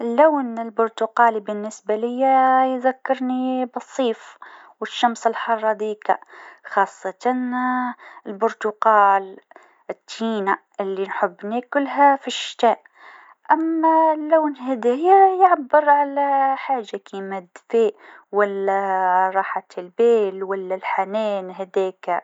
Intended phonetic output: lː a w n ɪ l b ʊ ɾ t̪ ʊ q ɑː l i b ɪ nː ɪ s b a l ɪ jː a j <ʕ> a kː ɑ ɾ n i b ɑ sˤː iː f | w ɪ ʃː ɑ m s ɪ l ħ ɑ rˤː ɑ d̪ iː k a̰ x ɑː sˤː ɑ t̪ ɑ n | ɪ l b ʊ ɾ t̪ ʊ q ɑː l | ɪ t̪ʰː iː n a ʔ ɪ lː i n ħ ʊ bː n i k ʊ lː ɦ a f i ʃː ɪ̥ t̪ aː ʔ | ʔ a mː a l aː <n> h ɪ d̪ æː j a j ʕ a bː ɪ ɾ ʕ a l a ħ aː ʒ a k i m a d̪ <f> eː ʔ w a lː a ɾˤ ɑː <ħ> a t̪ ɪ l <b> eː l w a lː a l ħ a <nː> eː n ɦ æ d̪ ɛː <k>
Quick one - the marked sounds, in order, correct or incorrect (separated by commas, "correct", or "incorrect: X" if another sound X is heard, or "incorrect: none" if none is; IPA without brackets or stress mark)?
incorrect: ð, correct, correct, correct, correct, incorrect: n, correct